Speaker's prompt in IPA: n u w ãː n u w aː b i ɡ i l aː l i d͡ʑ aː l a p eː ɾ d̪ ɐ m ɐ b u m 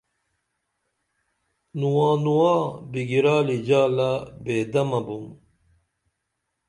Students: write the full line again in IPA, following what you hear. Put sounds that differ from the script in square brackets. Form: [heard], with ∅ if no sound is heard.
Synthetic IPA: n u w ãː n u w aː b i ɡ i [ɾ] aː l i d͡ʑ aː l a [b] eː [∅] d̪ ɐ m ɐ b u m

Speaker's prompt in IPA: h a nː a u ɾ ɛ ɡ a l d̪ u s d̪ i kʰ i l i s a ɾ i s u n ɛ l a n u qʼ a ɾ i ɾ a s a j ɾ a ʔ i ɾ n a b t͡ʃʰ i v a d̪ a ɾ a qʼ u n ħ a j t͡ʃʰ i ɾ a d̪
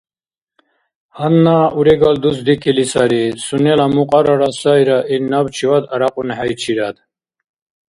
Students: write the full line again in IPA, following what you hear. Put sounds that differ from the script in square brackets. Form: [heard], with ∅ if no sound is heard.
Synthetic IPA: h a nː a u ɾ ɛ ɡ a l d̪ u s d̪ i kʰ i l i s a ɾ i s u n ɛ l a [m] u qʼ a ɾ [a] ɾ a s a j ɾ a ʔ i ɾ n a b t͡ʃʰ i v a d̪ a ɾ a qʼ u n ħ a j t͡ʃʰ i ɾ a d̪

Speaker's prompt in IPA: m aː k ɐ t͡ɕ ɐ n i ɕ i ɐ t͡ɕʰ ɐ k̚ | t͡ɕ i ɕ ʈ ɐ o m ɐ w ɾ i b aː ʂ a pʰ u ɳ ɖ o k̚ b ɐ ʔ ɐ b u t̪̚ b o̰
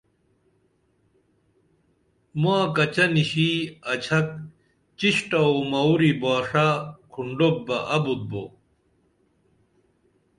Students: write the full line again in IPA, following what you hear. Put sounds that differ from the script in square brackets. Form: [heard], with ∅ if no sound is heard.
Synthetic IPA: m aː k ɐ t͡ɕ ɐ n i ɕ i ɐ t͡ɕʰ ɐ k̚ | t͡ɕ i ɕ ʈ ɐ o m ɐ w ɾ i b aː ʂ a [kʰ] u ɳ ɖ o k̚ b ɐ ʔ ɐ b u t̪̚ b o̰

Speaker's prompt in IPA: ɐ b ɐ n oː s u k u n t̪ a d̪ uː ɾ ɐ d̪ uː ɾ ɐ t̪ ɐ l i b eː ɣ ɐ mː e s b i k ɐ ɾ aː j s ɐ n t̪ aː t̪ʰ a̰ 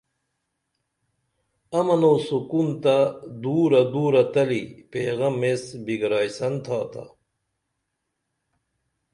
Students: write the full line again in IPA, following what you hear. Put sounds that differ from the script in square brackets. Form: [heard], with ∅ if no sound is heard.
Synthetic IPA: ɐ [m] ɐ n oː s u k u n t̪ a d̪ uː ɾ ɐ d̪ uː ɾ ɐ t̪ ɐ l i [p] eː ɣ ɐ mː e s b i [ɡ] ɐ ɾ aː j s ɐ n [t̪ʰ] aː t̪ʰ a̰

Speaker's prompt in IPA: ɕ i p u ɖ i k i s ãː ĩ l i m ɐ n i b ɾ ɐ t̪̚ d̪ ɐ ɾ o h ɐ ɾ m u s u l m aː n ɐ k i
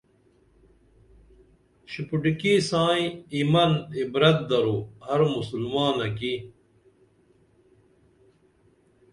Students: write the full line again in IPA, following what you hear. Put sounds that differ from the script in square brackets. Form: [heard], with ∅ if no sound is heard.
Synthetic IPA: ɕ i p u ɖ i k i s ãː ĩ [∅] i m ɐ n i b ɾ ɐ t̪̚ d̪ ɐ ɾ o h ɐ ɾ m u s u l m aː n ɐ k i

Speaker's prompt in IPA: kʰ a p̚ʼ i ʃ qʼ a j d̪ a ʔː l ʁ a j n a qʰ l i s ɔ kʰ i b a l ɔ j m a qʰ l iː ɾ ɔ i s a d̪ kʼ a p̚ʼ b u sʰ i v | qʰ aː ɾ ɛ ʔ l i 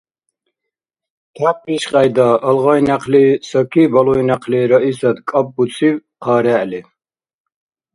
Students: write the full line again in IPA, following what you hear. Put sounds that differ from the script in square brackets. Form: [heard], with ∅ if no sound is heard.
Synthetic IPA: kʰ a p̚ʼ i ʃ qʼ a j d̪ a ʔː l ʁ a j n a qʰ l i s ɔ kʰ i b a l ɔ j [n] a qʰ l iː ɾ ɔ i s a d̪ kʼ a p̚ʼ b u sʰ i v | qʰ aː ɾ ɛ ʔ l i

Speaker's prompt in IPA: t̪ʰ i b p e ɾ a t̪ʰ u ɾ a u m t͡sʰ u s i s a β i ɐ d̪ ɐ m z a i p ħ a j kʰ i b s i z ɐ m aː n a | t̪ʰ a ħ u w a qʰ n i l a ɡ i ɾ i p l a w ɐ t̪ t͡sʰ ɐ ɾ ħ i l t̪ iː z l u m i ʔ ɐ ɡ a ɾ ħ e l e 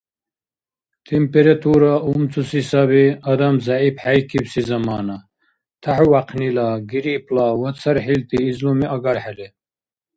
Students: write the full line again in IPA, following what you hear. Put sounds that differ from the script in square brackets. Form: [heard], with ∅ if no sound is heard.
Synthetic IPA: t̪ʰ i [m] p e ɾ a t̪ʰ u ɾ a u m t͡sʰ u s i s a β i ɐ d̪ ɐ m z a i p ħ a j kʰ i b s i z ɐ m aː n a | t̪ʰ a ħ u w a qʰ n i l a ɡ i ɾ i p l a w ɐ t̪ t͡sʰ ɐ ɾ ħ i l t̪ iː z l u m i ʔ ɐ ɡ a ɾ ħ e l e

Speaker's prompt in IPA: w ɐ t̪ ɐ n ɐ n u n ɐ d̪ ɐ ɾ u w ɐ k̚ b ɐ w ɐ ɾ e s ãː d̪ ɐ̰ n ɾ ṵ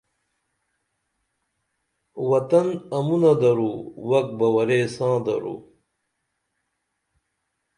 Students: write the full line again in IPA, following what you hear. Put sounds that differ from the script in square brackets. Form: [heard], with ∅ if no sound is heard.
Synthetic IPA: w ɐ t̪ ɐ n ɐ [m] u n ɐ d̪ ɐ ɾ u w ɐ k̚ b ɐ w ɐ ɾ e s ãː d̪ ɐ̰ [∅] ɾ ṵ

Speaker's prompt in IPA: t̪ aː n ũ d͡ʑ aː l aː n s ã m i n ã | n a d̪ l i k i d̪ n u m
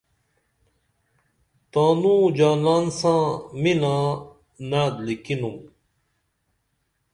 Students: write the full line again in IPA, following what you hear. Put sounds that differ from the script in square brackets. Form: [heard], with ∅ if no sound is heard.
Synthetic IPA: t̪ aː n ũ d͡ʑ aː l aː n s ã m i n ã | n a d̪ l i k i [∅] n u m

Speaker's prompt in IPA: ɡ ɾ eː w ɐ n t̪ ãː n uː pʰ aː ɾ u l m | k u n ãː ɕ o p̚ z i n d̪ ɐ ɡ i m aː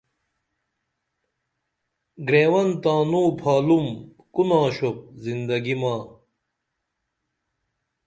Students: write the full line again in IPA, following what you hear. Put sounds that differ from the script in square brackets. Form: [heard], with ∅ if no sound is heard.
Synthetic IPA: ɡ ɾ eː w ɐ n t̪ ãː n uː pʰ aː [l] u [∅] m | k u n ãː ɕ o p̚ z i n d̪ ɐ ɡ i m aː

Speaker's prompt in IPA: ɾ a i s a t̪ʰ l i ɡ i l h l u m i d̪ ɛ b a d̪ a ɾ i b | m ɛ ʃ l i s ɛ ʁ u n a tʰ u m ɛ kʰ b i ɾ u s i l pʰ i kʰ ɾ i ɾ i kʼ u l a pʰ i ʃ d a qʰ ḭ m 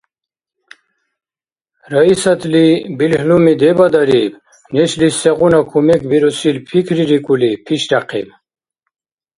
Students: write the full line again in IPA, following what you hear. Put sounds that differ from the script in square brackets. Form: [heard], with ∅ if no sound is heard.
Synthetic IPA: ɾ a i s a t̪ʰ l i [b] i l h l u m i d̪ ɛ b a d̪ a ɾ i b | [n] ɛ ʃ l i s ɛ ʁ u n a [kʰ] u m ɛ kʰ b i ɾ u s i l pʰ i kʰ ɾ i ɾ i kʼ u l [i] pʰ i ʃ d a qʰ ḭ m

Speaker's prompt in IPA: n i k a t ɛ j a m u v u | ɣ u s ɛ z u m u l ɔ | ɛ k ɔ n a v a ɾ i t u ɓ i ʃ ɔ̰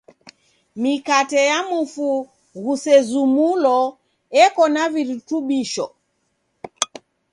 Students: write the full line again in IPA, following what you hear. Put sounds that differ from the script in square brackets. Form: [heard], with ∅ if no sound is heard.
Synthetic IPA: [m] i k a t ɛ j a m u [f] u | ɣ u s ɛ z u m u l ɔ | ɛ k ɔ n a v [i] ɾ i t u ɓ i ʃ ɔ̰

